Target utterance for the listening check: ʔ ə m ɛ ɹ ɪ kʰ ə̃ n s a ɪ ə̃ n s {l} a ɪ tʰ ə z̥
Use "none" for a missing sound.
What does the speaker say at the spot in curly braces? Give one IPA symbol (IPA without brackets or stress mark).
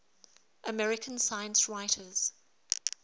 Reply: ɹ